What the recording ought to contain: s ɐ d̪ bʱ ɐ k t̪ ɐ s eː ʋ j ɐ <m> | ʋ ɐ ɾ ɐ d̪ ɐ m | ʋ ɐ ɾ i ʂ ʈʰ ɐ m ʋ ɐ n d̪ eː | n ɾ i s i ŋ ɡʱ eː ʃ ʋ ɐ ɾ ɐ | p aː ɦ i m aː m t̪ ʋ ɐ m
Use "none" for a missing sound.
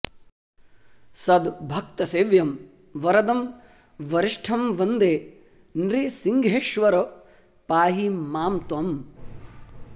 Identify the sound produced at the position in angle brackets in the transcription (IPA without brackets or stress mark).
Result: m